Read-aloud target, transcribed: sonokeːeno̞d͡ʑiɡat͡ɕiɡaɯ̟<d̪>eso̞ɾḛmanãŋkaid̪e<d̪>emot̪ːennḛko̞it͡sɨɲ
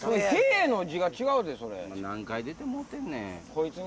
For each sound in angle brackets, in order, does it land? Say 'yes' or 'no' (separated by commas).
yes, no